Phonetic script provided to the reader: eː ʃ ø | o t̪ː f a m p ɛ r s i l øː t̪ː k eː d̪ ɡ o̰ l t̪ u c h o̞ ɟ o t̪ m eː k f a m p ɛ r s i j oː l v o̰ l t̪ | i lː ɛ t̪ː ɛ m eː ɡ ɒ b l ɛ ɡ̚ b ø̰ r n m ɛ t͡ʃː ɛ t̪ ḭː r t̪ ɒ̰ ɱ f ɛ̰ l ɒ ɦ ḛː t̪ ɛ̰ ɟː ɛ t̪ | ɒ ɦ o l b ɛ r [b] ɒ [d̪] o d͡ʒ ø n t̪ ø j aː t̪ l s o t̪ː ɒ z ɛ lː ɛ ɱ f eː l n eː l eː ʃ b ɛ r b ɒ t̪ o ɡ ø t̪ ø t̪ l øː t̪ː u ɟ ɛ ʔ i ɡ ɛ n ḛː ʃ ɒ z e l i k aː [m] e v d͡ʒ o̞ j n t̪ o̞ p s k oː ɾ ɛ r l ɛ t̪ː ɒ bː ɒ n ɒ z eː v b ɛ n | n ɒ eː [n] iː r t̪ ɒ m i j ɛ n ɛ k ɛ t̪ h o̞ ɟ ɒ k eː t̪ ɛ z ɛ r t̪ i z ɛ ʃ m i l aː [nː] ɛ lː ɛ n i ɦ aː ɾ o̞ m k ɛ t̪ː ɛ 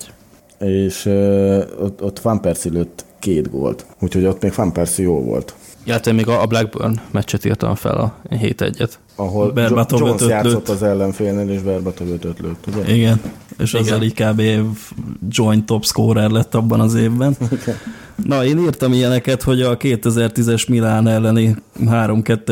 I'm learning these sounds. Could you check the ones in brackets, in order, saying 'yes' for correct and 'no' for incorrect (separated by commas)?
yes, no, no, yes, no